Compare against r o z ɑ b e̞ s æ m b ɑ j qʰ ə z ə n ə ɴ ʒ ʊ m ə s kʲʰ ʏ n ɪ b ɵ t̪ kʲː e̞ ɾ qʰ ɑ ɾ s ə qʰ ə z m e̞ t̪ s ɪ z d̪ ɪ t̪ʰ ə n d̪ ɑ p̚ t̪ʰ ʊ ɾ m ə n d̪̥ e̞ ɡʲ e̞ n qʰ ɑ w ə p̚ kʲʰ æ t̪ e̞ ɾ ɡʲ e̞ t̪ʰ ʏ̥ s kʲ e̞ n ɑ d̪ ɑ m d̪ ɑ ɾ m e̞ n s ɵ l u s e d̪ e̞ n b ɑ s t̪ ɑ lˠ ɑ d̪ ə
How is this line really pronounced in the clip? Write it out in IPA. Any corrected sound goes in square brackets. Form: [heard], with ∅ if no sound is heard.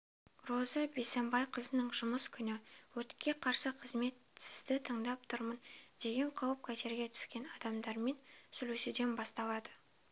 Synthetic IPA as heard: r o z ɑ b e̞ s [e] m b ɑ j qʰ ə z ə n ə ɴ ʒ ʊ m ə s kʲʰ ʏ n ɪ [w] ɵ t̪ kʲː e̞ [∅] qʰ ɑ ɾ s ə qʰ ə z m e̞ t̪ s ɪ z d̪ ɪ t̪ʰ ə [ɴ] d̪ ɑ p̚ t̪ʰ ʊ ɾ m ə n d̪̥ e̞ ɡʲ e̞ [ɴ] qʰ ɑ w ə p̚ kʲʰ æ t̪ e̞ ɾ ɡʲ e̞ t̪ʰ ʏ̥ s kʲ e̞ n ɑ d̪ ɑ m d̪ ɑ ɾ m e̞ n s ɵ l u s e d̪ e̞ n b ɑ s t̪ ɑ lˠ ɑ d̪ ə

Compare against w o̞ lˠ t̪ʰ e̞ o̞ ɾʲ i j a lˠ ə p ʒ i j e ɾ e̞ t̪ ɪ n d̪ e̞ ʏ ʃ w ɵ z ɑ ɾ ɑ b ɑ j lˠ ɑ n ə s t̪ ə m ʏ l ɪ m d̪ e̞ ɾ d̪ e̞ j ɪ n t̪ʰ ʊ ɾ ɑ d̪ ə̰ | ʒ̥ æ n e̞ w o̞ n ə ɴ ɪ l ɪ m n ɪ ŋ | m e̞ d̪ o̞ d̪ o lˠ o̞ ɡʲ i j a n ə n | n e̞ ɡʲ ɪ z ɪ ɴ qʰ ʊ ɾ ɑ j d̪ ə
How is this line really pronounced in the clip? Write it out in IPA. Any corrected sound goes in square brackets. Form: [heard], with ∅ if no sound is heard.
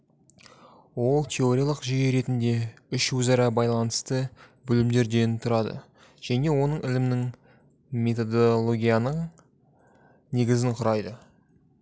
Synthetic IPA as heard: w o̞ lˠ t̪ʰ e̞ o̞ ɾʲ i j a lˠ ə [q] ʒ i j e ɾ e̞ t̪ ɪ n d̪ e̞ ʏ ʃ w ɵ z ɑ ɾ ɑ b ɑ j lˠ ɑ n ə s t̪ ə [b] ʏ l ɪ m d̪ e̞ ɾ d̪ e̞ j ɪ n t̪ʰ ʊ ɾ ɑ d̪ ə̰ | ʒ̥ æ n e̞ w o̞ n ə ɴ ɪ l ɪ m n ɪ ŋ | m e̞ [t̪] o̞ d̪ o lˠ o̞ ɡʲ i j a n ə [ɴ] | n e̞ ɡʲ ɪ z ɪ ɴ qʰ ʊ ɾ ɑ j d̪ ə

